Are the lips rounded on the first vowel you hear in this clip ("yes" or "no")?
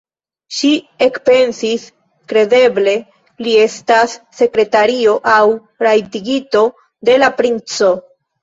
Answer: no